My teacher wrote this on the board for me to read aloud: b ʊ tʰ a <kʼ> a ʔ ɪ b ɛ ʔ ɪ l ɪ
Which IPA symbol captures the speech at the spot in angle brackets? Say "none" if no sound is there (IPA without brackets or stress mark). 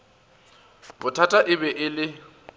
tʼ